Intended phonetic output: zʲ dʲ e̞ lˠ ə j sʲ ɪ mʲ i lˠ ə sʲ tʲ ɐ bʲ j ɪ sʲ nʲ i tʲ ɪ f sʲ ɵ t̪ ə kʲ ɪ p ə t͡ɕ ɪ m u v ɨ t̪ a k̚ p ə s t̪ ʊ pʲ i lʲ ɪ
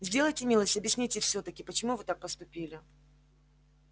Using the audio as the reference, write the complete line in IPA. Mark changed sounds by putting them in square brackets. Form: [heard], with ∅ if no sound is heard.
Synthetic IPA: zʲ dʲ e̞ lˠ ə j [tʲ] ɪ mʲ i lˠ ə sʲ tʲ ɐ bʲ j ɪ sʲ nʲ i tʲ ɪ f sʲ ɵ t̪ ə kʲ ɪ p ə t͡ɕ ɪ m u v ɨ t̪ a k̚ p ə s t̪ ʊ pʲ i lʲ ɪ